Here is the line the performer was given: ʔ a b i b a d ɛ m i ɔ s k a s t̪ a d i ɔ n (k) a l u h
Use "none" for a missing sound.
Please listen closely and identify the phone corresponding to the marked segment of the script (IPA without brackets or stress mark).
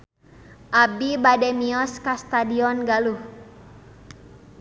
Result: ɡ